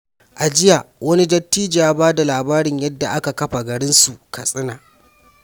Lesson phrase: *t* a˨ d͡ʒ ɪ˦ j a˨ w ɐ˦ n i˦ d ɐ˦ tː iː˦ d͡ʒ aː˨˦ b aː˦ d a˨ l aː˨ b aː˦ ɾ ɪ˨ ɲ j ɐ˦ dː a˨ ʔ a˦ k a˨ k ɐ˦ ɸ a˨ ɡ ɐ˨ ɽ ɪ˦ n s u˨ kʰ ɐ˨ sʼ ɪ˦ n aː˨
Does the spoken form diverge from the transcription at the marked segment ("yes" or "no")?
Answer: yes